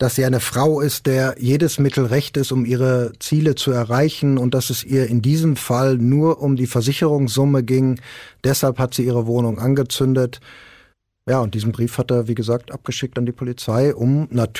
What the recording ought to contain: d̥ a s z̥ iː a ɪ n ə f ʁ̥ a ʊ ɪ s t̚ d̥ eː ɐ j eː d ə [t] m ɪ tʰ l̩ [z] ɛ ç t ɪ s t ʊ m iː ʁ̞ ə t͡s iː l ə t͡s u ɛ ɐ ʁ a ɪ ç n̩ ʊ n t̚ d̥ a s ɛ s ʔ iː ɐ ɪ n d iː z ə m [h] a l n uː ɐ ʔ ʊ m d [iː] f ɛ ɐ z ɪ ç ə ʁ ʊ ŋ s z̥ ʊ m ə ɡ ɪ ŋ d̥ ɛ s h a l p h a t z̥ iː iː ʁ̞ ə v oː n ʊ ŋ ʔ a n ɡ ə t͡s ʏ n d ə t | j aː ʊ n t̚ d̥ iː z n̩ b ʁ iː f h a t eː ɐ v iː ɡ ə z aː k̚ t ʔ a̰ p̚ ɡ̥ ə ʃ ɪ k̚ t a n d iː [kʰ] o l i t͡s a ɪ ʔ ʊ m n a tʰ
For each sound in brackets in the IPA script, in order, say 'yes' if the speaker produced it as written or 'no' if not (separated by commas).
no, no, no, yes, no